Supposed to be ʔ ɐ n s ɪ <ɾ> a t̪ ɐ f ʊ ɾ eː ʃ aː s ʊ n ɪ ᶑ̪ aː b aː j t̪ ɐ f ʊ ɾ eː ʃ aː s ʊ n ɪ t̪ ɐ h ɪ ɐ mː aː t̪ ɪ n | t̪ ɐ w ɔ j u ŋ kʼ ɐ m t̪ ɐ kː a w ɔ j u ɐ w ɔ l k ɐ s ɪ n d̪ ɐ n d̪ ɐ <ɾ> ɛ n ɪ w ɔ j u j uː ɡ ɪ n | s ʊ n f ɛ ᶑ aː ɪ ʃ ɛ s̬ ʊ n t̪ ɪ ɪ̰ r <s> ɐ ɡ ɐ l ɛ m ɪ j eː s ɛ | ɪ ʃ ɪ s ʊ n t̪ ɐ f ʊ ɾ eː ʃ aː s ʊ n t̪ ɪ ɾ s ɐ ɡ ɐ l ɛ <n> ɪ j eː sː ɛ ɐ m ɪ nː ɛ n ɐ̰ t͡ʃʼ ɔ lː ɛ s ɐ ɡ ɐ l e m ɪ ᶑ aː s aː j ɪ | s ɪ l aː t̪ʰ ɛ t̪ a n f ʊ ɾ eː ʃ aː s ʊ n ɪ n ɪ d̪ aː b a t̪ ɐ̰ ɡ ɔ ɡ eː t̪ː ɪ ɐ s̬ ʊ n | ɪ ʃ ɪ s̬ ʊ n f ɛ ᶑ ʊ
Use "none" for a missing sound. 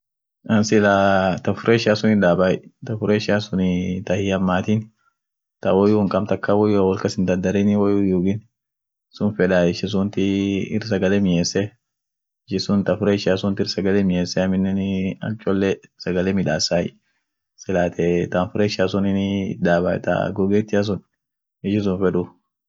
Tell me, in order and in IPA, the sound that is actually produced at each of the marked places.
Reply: l, ɾ, s, m

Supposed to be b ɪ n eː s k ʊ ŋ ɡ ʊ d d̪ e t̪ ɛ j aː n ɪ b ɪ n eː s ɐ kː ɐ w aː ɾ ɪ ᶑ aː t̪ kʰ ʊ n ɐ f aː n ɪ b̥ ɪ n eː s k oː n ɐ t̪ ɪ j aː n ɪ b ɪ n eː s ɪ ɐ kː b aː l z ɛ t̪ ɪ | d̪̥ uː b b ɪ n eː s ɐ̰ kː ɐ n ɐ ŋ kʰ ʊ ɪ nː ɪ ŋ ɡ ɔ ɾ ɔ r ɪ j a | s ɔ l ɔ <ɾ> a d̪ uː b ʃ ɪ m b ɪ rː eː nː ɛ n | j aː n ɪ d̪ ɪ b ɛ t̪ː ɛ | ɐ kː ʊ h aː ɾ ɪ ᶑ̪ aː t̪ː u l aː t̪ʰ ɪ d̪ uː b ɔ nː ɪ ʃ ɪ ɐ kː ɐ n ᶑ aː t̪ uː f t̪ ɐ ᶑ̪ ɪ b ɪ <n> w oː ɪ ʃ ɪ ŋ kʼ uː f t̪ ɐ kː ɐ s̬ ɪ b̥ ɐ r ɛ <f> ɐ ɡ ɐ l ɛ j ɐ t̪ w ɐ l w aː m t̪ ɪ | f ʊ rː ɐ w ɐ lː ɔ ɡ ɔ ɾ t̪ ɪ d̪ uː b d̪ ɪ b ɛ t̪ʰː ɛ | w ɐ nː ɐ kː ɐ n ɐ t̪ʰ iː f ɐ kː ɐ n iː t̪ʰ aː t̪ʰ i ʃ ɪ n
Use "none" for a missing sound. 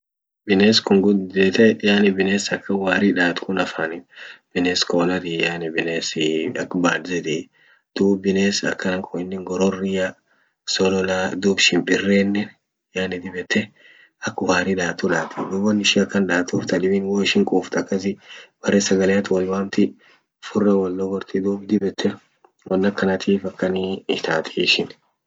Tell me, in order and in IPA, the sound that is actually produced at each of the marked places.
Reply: l, n, s

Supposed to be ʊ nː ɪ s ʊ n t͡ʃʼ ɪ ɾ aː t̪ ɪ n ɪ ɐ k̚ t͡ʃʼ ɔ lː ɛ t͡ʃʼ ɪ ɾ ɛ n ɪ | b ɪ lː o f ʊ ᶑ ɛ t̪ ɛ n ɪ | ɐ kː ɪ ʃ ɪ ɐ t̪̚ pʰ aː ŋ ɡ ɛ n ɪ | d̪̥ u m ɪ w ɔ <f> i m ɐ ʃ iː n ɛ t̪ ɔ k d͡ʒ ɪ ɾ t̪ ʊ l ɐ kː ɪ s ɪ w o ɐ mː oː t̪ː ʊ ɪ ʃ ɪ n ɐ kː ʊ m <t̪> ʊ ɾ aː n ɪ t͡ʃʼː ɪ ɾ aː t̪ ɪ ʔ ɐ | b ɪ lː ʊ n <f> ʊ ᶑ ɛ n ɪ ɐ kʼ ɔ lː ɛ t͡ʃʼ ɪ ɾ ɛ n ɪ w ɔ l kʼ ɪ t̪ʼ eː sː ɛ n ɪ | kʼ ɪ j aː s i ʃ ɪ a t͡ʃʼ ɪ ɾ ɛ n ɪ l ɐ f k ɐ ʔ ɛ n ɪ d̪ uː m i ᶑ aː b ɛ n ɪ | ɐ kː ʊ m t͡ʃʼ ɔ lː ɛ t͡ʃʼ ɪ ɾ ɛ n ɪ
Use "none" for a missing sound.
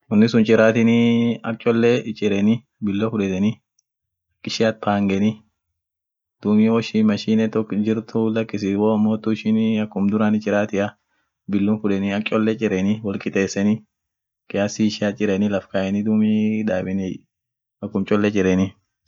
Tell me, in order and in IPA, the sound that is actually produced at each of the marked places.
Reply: ʃ, d̪, f

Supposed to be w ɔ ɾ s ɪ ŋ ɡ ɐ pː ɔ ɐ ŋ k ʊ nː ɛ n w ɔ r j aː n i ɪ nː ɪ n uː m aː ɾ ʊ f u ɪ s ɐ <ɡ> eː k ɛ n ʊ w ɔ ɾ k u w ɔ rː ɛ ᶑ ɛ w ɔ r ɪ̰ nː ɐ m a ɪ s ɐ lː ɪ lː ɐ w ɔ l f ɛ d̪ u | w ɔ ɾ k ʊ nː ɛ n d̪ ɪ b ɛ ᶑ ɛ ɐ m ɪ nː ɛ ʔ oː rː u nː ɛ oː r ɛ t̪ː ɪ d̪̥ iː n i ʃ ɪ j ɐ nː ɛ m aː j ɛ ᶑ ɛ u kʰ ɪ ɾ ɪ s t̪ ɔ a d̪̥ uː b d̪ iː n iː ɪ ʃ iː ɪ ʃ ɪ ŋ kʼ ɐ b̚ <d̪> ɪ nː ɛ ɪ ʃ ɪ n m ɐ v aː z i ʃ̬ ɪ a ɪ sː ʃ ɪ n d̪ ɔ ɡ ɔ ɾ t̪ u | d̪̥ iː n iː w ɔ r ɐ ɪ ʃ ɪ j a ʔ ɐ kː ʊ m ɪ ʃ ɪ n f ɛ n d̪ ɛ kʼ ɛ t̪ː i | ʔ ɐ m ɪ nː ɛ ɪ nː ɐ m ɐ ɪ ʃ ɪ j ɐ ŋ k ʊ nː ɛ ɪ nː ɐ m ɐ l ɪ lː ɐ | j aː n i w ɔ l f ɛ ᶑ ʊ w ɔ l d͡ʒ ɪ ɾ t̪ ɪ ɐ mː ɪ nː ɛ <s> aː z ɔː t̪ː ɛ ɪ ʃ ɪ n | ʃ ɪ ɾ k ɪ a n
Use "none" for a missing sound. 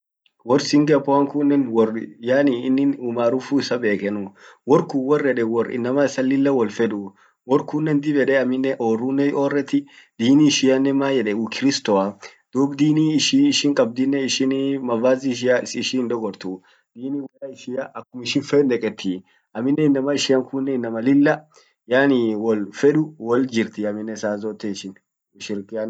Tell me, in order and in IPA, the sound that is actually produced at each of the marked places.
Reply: b, d̪, s

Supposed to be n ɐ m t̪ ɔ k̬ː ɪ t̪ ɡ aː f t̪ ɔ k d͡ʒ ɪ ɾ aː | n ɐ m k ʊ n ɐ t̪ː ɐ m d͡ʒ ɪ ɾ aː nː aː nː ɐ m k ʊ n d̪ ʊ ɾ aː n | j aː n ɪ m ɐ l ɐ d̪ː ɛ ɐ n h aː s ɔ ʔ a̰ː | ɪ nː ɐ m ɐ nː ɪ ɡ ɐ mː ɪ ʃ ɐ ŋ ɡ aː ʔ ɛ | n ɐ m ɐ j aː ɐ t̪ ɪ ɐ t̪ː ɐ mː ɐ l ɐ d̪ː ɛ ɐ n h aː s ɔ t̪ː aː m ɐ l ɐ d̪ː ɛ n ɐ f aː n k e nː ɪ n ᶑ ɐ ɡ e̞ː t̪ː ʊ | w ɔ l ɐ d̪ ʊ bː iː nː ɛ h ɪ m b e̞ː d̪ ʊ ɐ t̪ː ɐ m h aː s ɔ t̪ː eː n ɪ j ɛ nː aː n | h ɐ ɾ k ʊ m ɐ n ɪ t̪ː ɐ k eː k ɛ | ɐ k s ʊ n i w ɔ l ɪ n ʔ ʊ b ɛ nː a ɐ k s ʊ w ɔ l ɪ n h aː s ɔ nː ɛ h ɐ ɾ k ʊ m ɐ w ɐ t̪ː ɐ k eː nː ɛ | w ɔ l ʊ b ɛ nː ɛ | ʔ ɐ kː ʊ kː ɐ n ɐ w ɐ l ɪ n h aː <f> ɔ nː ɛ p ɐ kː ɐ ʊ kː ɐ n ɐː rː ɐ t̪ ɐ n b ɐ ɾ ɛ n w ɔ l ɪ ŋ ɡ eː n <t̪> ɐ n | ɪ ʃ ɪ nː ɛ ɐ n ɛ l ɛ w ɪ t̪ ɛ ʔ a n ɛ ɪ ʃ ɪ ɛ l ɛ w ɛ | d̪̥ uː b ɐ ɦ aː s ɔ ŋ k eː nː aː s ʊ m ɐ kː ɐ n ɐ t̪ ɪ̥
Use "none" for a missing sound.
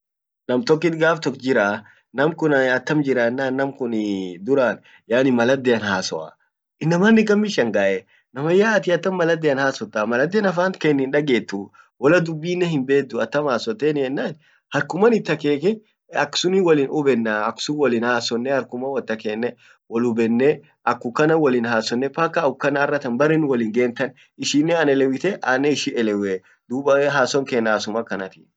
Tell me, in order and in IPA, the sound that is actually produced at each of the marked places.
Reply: s, t̪

